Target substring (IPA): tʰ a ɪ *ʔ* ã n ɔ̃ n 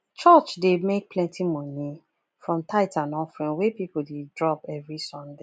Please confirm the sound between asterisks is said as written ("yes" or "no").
no